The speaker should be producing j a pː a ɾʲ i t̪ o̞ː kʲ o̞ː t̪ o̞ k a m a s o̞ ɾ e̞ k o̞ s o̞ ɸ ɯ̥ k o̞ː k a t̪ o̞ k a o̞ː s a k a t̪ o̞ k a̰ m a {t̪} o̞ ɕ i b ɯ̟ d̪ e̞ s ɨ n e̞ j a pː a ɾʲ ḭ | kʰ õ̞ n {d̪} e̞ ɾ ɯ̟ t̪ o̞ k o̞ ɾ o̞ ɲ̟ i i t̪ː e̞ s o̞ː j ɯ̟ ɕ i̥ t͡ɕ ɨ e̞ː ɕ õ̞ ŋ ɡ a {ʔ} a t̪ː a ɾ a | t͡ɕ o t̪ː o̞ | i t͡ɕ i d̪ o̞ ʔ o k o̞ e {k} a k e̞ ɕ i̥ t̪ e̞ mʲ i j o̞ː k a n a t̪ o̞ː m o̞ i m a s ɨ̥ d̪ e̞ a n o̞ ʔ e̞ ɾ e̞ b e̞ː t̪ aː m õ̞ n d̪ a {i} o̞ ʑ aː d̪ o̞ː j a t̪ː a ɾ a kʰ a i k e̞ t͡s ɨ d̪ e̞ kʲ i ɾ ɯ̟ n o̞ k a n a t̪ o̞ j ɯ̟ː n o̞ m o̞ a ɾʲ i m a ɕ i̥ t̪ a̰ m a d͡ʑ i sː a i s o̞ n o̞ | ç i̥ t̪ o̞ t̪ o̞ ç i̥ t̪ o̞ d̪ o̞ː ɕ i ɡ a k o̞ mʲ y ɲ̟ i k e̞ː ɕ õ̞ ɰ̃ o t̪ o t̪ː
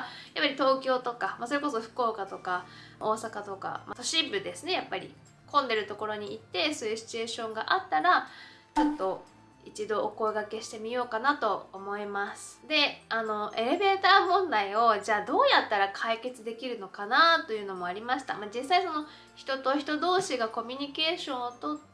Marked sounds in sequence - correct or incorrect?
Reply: correct, correct, correct, incorrect, correct

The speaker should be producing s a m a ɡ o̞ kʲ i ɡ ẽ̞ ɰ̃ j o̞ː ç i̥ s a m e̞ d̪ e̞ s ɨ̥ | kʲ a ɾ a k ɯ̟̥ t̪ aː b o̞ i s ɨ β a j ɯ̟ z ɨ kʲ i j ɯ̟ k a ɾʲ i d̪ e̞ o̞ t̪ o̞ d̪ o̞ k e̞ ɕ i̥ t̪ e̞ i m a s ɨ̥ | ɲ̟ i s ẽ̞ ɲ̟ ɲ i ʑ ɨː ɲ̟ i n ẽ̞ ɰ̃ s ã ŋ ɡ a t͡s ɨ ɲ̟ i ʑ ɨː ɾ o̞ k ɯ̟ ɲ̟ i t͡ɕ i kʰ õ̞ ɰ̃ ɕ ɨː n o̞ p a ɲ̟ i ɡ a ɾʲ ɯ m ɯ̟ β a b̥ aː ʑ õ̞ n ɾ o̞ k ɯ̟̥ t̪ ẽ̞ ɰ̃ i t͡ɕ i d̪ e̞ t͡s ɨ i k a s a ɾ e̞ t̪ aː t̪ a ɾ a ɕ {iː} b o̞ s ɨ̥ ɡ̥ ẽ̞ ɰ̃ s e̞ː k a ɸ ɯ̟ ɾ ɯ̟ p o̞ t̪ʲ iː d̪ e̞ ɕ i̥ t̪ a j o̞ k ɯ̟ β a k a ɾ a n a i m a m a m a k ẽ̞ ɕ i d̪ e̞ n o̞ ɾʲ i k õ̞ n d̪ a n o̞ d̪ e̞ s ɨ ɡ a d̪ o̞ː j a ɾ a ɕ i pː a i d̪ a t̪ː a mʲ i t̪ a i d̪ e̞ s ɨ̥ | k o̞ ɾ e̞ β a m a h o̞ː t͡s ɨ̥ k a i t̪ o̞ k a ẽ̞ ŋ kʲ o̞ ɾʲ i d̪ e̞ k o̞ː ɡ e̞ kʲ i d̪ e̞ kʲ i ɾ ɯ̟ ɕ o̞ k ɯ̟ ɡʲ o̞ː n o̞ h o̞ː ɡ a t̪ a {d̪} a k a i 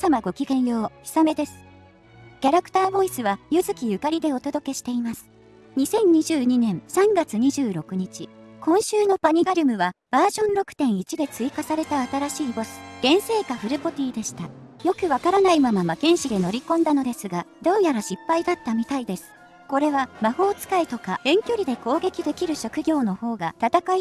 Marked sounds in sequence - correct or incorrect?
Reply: correct, incorrect

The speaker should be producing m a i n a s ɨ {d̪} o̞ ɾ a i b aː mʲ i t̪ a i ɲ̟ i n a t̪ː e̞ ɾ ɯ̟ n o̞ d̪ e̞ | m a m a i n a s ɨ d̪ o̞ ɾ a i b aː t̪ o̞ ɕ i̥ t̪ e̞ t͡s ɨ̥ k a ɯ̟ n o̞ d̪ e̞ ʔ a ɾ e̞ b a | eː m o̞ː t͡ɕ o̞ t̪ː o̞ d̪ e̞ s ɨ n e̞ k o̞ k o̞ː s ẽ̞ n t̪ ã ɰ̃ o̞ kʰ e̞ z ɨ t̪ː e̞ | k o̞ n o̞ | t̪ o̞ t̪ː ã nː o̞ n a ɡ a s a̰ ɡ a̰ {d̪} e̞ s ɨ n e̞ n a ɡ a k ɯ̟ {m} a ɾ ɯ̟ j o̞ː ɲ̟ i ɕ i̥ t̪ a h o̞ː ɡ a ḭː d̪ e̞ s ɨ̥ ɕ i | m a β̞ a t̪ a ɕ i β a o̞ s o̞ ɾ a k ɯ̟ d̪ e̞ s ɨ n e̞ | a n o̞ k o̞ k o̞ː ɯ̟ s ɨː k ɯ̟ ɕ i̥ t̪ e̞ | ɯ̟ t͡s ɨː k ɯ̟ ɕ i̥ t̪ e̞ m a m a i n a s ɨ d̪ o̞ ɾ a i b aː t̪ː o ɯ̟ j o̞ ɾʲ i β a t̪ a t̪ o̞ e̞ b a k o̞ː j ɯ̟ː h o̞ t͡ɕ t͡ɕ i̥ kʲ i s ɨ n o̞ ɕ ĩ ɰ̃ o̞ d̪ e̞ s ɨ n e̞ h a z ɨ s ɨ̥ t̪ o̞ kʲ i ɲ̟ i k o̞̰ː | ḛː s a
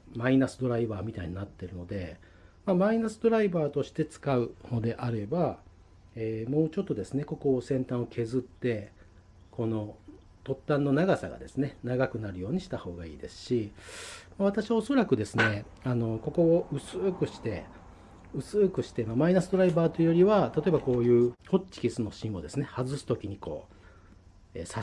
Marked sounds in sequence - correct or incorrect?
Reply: correct, correct, incorrect

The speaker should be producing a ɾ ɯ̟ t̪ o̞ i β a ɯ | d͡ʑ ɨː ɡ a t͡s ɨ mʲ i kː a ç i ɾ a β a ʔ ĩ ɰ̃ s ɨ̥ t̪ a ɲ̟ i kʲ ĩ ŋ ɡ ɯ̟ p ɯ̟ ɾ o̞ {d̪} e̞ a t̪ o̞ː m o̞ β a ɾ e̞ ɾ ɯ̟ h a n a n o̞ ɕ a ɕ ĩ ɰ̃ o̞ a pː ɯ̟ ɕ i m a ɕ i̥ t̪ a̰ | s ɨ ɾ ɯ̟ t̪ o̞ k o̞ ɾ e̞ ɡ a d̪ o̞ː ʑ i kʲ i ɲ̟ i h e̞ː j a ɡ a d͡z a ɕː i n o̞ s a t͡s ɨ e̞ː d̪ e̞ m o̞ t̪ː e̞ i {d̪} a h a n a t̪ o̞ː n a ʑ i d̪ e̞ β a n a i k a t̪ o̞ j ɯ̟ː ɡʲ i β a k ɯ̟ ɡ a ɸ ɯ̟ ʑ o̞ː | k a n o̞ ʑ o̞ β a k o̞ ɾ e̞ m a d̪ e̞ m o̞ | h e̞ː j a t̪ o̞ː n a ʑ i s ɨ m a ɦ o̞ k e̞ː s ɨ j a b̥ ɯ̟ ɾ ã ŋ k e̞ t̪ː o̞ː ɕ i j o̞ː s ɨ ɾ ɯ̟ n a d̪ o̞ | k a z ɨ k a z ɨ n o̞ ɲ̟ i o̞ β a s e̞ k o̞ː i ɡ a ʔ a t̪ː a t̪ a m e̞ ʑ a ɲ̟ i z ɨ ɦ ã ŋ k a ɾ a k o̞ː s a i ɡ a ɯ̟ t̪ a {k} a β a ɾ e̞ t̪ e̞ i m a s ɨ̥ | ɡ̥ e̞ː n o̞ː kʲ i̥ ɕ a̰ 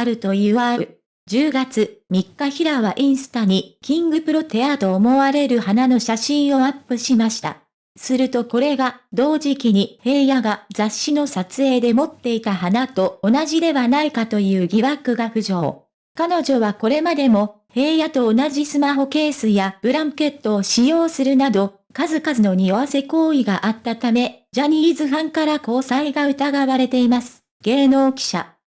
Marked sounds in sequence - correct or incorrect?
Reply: incorrect, incorrect, incorrect

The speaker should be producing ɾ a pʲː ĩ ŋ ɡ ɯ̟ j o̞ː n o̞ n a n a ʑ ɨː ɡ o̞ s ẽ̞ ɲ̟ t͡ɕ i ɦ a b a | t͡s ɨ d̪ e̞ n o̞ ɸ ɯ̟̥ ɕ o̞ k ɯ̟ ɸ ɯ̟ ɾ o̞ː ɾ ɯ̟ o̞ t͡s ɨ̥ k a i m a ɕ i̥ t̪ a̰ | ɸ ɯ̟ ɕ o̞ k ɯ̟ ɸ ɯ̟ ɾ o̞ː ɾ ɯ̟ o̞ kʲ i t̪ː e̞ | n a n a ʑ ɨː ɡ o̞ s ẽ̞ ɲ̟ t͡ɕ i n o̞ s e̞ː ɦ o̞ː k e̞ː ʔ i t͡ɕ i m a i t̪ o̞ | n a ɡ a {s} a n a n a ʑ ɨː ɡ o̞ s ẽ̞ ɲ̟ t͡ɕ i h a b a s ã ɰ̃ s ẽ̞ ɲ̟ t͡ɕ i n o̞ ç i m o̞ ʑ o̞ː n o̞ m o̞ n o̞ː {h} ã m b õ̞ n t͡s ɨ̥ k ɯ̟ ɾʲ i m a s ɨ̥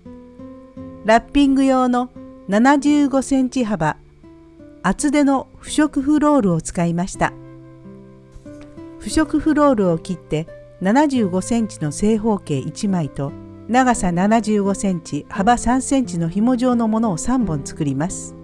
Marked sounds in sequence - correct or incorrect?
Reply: correct, incorrect

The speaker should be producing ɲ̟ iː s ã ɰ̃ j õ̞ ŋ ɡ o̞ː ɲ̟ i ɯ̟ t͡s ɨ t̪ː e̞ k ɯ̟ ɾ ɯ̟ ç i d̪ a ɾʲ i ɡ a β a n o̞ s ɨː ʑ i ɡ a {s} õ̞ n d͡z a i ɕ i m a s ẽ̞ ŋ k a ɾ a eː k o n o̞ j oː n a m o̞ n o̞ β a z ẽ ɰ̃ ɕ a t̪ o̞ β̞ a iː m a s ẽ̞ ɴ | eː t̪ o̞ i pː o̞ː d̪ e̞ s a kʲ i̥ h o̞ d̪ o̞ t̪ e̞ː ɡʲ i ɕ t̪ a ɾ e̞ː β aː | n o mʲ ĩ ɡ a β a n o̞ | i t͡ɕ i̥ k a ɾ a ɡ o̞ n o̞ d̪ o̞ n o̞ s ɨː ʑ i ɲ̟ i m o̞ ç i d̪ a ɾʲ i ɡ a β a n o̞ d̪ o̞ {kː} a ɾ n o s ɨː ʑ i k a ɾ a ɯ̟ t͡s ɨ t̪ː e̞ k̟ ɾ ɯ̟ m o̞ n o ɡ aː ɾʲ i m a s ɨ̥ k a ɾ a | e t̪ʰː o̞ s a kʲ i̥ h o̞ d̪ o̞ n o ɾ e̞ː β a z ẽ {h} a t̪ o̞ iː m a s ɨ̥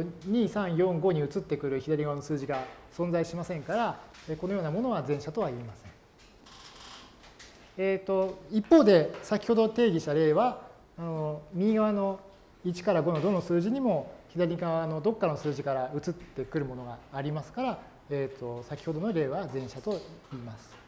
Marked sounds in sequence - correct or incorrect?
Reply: correct, correct, incorrect

